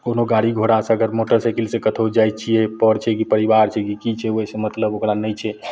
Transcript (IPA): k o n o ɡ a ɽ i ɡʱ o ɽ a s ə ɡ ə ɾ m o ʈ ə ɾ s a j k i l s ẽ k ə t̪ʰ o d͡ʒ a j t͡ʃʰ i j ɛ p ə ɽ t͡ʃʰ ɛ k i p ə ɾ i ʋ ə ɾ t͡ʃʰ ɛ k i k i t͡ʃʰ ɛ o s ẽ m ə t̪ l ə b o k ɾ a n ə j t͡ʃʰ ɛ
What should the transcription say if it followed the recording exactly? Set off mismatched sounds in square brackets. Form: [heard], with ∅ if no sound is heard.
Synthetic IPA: k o n o ɡ a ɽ i ɡʱ o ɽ a s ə ɡ ə ɾ m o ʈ ə ɾ s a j k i l s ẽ k ə t̪ʰ o d͡ʒ a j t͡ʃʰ i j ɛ p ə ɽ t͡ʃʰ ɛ k i p ə ɾ i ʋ [a] ɾ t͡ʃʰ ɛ k i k i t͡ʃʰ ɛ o s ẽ m ə t̪ l ə b o k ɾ a n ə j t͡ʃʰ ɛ

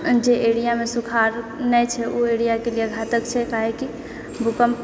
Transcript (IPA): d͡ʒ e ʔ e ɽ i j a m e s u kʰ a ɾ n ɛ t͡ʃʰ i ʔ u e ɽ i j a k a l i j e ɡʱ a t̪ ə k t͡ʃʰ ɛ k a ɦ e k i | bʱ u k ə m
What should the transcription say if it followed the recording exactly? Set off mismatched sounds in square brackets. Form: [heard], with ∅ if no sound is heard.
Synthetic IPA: d͡ʒ e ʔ e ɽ i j a m e s u kʰ a ɾ n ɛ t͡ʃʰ [ɛ] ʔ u e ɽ i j a k [e] l i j e ɡʱ a t̪ ə k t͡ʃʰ ɛ k a ɦ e k i | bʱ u k ə m

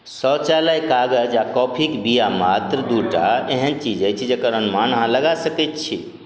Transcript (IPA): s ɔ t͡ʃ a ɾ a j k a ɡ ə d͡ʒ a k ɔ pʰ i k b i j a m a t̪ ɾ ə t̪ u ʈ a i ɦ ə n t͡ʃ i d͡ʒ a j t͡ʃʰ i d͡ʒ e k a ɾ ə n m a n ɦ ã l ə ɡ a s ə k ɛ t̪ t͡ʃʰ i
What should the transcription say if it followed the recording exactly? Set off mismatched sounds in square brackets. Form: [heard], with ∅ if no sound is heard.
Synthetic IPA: s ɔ t͡ʃ a [l] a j k a ɡ ə d͡ʒ a k ɔ pʰ i k b i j a m a t̪ ɾ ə [d̪] u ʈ a [e] ɦ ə n t͡ʃ i d͡ʒ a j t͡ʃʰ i d͡ʒ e k [ə] ɾ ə n m a n ɦ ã l ə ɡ a s ə k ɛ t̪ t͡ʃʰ i

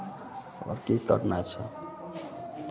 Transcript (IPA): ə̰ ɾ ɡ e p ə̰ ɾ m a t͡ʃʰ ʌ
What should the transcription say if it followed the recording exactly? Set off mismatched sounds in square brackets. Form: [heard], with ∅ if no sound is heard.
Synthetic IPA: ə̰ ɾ [k] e [k] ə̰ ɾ [n] a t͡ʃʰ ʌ

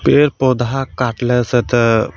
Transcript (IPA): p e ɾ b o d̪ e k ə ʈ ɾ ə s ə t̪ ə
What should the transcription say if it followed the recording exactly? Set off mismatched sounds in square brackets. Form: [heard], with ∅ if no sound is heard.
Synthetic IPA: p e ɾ [p] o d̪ [a] k [a] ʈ [l] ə s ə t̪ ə

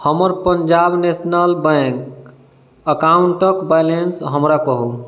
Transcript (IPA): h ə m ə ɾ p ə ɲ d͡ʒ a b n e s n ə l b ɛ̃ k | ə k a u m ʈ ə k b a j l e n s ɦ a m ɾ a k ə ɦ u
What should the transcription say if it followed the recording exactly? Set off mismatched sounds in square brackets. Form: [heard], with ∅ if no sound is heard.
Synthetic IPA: h ə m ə ɾ p ə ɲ d͡ʒ a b n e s n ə l b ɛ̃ k | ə k a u [ɳ] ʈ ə k b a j l e n s ɦ [ə] m ɾ a k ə ɦ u

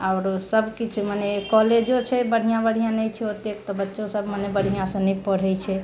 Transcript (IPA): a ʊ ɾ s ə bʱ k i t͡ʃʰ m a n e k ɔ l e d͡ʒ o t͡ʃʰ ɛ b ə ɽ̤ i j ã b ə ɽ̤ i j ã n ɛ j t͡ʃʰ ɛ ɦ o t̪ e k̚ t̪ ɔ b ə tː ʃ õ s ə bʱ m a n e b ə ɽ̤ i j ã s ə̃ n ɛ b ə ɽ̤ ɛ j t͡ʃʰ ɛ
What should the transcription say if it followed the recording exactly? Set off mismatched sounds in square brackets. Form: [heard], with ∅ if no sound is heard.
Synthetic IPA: a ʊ ɾ s ə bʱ k i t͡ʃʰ m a n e k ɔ l e d͡ʒ o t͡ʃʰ ɛ b ə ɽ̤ i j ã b ə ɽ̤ i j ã n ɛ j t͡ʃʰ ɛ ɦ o t̪ e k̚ t̪ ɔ b ə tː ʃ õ s ə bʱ m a n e b ə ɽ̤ i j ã s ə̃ n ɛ [p] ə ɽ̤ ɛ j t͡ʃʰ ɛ

